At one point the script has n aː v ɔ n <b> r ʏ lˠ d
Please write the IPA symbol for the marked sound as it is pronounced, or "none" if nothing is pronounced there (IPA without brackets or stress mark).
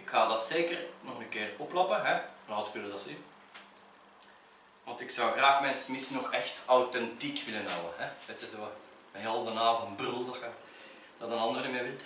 b